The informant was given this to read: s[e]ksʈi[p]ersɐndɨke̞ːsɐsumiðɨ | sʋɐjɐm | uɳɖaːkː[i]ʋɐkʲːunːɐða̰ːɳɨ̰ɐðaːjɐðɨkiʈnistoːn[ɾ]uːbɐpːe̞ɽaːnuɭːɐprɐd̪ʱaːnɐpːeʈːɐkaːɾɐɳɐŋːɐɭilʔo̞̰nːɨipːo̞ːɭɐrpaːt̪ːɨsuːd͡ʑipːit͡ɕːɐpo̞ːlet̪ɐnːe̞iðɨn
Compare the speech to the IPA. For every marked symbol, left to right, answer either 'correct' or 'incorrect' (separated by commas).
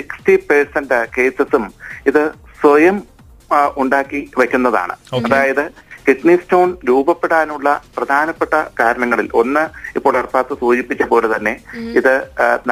incorrect, correct, correct, correct